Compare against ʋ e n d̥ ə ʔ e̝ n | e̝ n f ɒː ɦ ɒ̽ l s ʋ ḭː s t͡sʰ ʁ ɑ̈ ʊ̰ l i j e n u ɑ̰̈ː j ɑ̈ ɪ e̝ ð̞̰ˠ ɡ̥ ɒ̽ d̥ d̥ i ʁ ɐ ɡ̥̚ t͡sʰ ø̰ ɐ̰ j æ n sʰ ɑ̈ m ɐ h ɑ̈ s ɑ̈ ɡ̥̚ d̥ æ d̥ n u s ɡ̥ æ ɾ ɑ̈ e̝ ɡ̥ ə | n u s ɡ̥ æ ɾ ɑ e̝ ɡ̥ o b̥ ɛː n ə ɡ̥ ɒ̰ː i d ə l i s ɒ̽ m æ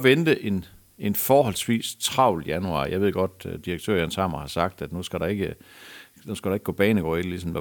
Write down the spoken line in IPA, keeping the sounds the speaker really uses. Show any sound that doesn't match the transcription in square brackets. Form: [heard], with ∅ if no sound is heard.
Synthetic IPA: ʋ e n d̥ ə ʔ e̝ n | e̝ n f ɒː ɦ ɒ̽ l s ʋ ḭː s t͡sʰ ʁ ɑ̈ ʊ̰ l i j [æ] n u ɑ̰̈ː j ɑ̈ ɪ e̝ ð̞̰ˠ ɡ̥ ɒ̽ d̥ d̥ i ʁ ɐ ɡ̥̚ t͡sʰ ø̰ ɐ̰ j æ n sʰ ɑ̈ m ɐ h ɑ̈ s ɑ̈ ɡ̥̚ d̥ æ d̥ n u s ɡ̥ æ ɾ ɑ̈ e̝ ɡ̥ ə | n u s ɡ̥ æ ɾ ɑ e̝ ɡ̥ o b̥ ɛː n ə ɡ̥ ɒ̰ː i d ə l i s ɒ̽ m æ